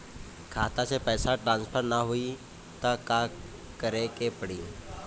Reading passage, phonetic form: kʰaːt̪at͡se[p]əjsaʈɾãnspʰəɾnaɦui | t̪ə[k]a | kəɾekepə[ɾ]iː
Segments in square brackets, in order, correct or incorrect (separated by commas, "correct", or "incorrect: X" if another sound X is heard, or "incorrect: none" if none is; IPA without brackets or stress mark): correct, correct, incorrect: ɽ